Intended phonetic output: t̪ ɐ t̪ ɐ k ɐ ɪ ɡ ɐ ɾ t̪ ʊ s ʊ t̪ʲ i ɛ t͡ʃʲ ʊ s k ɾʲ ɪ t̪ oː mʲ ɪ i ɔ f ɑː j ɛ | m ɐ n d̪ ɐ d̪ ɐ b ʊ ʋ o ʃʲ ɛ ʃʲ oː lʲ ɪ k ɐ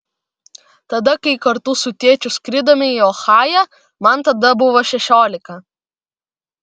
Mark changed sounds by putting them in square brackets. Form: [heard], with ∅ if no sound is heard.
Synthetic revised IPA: t̪ ɐ [d̪] ɐ k ɐ ɪ [k] ɐ ɾ t̪ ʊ s ʊ t̪ʲ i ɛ t͡ʃʲ ʊ s k ɾʲ ɪ [d̪] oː mʲ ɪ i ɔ [x] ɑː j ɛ | m ɐ n [t̪] ɐ d̪ ɐ b ʊ ʋ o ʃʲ ɛ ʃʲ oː lʲ ɪ k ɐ